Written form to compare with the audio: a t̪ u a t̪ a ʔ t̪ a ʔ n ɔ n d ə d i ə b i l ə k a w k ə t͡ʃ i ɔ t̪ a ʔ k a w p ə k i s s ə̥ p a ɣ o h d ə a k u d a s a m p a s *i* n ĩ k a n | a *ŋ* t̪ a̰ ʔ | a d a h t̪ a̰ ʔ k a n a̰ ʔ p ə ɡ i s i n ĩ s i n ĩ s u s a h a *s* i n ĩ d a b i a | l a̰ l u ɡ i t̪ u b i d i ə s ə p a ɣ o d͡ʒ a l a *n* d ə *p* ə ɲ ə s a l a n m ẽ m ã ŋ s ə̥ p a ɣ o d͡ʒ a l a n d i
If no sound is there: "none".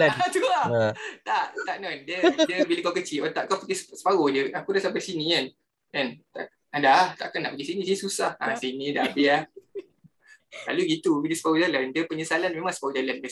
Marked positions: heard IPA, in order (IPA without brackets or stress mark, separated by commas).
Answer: i, n, s, n, p